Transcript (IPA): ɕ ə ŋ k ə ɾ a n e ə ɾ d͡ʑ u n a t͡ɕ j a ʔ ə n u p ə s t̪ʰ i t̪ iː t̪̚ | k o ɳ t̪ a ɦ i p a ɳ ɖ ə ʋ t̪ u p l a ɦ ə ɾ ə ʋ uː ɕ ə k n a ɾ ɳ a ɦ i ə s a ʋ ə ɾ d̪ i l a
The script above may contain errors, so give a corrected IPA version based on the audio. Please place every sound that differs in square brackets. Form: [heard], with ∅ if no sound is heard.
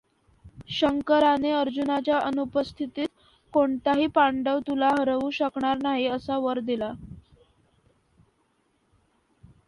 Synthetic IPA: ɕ ə ŋ k ə ɾ a n e ə ɾ d͡ʑ u n a t͡ɕ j a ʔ ə n u p ə s t̪ʰ i t̪ iː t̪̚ | k o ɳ t̪ a ɦ [iː] p a ɳ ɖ ə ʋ t̪ u [∅] l a ɦ ə ɾ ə ʋ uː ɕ ə k [ɳ] a ɾ [n] a ɦ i ə s a ʋ ə ɾ d̪ i l a